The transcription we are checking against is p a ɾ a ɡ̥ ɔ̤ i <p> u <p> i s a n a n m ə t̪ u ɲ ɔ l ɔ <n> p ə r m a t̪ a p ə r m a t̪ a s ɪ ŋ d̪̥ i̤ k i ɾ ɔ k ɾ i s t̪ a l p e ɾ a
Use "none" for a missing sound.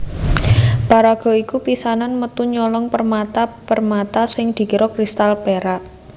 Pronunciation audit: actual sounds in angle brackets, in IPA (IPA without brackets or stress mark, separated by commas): k, p, ŋ